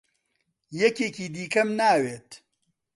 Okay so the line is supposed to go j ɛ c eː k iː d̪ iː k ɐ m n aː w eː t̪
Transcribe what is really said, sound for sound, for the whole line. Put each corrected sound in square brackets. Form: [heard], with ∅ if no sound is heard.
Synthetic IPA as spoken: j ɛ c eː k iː d̪ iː k ɐ m n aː w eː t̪

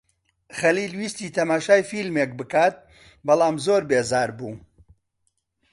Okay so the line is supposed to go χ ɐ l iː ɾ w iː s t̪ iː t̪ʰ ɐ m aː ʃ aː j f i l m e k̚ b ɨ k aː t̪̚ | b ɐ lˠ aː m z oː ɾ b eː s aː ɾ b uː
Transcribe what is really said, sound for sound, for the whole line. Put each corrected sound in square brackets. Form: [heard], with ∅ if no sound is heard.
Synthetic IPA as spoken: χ ɐ l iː [l] w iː s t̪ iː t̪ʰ ɐ m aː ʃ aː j f i l m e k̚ b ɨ k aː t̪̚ | b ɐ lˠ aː m z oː ɾ b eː [z] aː ɾ b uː

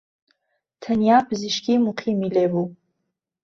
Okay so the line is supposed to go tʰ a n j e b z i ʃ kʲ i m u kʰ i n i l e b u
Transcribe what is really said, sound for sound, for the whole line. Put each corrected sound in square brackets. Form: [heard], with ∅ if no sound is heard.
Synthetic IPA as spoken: tʰ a n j [a] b z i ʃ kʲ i m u [qʰ] i [m] i l e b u

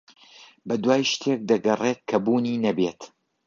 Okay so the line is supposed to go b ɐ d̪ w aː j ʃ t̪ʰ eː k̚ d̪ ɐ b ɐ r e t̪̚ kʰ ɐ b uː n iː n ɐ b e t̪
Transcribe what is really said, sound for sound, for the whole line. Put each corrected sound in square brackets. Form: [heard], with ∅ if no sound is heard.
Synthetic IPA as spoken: b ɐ d̪ w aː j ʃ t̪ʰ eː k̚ d̪ ɐ [ɡ] ɐ r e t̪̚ kʰ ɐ b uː n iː n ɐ b e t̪

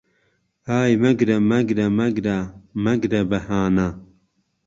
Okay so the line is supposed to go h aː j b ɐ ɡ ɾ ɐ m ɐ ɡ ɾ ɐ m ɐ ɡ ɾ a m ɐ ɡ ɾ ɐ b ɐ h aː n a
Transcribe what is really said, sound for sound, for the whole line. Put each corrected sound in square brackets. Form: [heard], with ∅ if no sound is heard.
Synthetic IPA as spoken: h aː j [m] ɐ ɡ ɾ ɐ m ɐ ɡ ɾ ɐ m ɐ ɡ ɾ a m ɐ ɡ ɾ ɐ b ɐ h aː n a

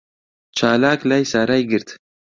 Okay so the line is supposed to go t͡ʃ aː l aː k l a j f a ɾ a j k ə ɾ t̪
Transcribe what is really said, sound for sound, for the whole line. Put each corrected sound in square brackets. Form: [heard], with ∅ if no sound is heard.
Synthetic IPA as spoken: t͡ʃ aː l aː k l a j [s] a ɾ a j [ɡ] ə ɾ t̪

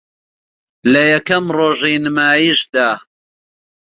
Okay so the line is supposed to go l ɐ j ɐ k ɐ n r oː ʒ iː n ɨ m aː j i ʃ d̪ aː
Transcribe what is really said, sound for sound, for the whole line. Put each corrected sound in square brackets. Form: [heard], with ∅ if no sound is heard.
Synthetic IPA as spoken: l ɐ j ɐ k ɐ [m] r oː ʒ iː n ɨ m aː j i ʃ d̪ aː

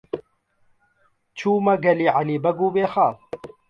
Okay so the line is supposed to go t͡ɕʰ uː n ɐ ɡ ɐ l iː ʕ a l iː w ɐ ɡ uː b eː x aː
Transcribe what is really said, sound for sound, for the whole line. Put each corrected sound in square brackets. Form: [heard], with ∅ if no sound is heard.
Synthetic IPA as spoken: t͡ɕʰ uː [m] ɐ ɡ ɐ l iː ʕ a l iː [b] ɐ ɡ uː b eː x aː

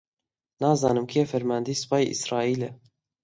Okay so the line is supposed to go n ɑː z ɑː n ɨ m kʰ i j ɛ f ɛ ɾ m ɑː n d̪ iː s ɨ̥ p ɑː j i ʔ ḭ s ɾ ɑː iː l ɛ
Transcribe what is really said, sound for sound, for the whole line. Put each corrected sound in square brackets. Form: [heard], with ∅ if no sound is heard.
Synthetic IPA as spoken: n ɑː z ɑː n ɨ m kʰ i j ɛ f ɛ ɾ m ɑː n d̪ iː s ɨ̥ p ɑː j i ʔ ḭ s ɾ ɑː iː l ɛ

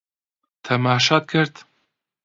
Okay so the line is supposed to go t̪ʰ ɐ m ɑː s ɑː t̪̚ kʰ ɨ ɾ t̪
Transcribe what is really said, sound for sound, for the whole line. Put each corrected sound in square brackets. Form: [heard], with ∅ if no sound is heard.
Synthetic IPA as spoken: t̪ʰ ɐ m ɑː [ʃ] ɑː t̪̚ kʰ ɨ ɾ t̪

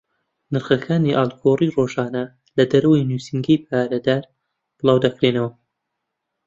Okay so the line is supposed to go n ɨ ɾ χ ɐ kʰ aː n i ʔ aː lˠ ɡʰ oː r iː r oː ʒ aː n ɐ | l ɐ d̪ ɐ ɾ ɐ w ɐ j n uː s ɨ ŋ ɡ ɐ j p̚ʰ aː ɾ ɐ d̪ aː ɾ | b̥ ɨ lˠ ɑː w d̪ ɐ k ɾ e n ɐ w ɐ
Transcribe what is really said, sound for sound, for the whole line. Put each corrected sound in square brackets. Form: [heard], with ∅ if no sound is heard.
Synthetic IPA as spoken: n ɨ ɾ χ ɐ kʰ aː n i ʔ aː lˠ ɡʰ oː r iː r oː ʒ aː n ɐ | l ɐ d̪ ɐ ɾ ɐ w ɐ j n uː s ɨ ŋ ɡ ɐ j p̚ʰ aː ɾ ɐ d̪ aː ɾ | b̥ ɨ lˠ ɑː w d̪ ɐ k ɾ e n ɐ w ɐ

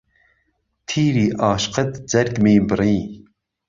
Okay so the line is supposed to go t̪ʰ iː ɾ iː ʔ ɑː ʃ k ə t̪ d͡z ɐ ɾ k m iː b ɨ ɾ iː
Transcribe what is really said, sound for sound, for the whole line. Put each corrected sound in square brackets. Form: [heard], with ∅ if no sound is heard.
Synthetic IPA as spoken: t̪ʰ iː ɾ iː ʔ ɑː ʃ [q] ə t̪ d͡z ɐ ɾ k m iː b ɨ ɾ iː

